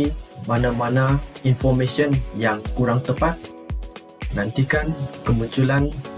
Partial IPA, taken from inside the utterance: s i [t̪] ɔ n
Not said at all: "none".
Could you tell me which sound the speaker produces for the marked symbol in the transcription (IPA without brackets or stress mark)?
none